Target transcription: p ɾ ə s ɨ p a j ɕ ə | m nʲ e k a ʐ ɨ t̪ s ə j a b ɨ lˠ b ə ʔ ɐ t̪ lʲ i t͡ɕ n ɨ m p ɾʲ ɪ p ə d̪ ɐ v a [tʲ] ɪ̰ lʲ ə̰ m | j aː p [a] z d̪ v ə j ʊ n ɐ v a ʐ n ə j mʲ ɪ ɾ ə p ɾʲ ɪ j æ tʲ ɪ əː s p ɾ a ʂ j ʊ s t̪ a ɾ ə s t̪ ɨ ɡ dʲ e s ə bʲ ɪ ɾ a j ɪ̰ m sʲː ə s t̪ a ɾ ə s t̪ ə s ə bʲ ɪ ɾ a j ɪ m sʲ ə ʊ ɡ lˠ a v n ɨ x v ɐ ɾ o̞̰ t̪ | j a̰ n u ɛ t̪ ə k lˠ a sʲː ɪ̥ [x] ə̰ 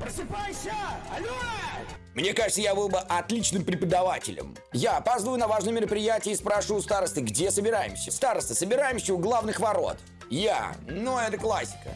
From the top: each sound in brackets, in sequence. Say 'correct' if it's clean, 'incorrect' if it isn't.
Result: correct, correct, incorrect: k

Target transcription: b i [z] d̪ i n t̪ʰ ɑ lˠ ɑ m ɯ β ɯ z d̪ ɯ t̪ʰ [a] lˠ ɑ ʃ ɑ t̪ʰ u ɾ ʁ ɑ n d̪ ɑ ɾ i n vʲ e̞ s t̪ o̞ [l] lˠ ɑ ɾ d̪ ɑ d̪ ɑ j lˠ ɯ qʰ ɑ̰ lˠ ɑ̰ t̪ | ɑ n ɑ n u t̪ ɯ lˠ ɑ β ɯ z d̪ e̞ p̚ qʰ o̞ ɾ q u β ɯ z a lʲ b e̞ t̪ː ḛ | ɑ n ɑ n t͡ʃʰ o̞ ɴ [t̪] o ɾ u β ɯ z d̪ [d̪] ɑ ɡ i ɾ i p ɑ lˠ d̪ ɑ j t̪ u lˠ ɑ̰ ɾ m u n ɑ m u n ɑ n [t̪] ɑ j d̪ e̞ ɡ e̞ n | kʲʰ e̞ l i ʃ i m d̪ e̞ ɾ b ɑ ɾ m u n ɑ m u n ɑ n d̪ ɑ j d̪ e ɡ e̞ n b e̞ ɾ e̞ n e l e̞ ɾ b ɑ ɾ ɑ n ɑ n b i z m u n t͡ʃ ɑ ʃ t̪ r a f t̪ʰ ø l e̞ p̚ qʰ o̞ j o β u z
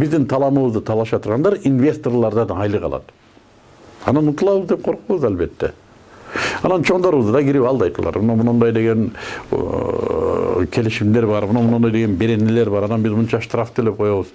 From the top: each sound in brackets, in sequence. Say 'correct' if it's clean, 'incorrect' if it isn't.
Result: correct, incorrect: ɑ, incorrect: r, incorrect: d̪, correct, incorrect: d̪

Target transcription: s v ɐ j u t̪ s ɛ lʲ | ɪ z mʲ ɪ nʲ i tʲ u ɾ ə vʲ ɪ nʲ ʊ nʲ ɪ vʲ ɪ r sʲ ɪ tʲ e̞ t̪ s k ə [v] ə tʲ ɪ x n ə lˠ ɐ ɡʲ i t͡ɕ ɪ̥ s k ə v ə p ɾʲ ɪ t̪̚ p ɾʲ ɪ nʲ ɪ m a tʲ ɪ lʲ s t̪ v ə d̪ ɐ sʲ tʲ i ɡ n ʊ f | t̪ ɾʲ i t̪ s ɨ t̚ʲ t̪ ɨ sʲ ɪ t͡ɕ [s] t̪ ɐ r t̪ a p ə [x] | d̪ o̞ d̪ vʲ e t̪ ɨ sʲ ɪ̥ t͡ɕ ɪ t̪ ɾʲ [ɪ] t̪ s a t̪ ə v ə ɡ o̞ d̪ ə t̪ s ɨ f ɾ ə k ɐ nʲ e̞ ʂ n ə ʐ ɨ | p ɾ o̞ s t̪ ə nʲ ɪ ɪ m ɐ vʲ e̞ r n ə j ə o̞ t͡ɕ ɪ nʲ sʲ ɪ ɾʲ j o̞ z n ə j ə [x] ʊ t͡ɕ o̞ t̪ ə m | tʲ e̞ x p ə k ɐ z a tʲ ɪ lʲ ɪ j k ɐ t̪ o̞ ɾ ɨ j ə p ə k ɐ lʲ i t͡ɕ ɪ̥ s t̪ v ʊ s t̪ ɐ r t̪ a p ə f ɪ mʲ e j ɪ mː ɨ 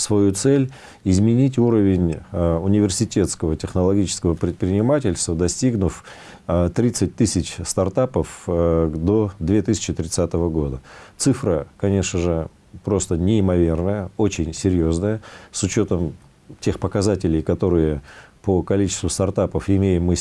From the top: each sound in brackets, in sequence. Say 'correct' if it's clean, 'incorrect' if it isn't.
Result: correct, correct, incorrect: f, correct, incorrect: s

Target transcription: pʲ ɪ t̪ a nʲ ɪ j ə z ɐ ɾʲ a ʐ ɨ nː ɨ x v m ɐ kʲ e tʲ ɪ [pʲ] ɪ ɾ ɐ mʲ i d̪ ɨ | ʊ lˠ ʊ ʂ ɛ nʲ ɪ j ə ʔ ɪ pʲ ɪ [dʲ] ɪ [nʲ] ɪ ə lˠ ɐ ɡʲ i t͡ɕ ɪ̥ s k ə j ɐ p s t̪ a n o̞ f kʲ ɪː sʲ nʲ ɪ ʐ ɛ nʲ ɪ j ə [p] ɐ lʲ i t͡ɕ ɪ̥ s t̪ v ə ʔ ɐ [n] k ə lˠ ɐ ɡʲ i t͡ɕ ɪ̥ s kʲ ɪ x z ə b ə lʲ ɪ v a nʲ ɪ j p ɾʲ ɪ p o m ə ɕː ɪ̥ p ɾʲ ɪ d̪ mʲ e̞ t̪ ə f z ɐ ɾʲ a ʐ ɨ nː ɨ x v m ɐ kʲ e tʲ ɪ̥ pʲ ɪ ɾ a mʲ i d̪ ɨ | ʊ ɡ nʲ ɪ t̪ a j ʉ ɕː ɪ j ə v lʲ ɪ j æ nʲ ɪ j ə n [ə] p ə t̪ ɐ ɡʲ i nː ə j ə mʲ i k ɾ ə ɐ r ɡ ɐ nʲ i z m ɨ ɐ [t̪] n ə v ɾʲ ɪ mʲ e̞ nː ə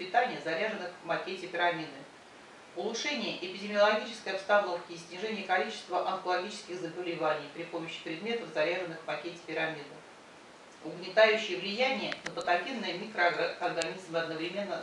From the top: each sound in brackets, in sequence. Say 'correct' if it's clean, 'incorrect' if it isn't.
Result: correct, correct, incorrect: mʲ, incorrect: k, correct, correct, incorrect: d̪

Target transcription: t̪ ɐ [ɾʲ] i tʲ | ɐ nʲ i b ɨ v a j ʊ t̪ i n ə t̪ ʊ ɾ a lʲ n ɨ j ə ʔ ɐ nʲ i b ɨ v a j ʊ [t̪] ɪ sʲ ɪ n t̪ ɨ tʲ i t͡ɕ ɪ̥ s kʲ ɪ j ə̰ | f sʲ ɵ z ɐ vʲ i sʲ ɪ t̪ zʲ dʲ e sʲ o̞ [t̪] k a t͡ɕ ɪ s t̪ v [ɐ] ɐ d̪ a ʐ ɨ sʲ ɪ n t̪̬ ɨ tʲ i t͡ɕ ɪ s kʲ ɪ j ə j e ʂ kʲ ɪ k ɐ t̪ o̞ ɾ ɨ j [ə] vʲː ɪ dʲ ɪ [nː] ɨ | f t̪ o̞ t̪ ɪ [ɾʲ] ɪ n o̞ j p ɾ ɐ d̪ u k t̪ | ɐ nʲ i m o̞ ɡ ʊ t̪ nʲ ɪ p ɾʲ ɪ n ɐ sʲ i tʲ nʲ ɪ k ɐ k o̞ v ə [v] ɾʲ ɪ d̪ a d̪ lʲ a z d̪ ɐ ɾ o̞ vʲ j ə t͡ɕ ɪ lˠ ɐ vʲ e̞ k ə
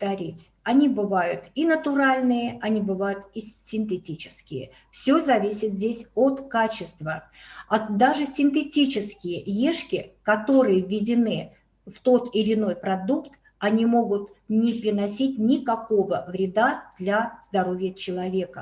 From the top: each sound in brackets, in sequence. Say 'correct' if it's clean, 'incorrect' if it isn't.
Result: correct, correct, correct, incorrect: ə, correct, incorrect: n, incorrect: lʲ, correct

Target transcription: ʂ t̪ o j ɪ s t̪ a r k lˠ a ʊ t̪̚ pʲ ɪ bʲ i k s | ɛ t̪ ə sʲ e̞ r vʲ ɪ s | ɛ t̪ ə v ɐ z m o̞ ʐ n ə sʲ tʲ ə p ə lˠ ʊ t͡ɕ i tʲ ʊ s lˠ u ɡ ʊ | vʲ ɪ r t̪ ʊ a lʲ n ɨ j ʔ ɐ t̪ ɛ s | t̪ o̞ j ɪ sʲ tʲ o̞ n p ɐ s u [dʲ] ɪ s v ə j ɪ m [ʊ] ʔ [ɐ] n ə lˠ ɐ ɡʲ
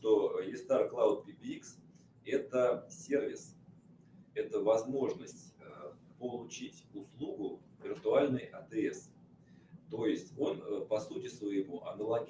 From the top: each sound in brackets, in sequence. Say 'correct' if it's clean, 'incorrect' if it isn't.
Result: incorrect: tʲ, incorrect: u, correct

